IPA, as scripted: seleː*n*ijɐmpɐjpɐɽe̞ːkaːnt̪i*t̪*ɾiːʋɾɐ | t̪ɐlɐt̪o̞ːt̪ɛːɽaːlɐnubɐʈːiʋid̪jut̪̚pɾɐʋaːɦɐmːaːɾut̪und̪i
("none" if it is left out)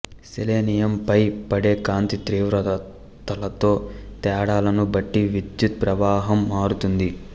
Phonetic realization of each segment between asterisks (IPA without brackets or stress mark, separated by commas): n, t̪